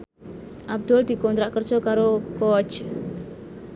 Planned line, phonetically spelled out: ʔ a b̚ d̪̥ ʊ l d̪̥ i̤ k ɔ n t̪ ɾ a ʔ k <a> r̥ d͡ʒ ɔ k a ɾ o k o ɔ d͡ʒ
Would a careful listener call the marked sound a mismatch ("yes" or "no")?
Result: yes